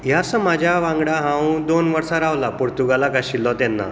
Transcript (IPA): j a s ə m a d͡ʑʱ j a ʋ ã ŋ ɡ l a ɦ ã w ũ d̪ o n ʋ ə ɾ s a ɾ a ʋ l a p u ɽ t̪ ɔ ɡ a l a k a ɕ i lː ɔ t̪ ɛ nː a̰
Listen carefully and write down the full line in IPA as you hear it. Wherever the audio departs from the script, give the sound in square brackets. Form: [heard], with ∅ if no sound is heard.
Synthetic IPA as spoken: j a s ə m a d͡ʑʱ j a ʋ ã ŋ ɡ [ɽ] a ɦ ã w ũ d̪ o n ʋ ə ɾ s a ɾ a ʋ l a p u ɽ t̪ [u] ɡ a l a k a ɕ i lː ɔ t̪ ɛ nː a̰